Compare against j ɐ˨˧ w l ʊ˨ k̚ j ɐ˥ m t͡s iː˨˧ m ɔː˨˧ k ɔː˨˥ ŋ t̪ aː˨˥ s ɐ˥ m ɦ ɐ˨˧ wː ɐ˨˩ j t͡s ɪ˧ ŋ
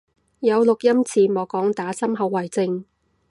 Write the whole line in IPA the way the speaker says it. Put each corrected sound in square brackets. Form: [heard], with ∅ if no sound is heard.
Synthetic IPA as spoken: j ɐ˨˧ w l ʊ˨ k̚ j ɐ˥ m [t͡sʰ] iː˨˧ m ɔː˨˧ k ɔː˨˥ ŋ t̪ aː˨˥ s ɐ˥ m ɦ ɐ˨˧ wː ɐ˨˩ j t͡s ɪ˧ ŋ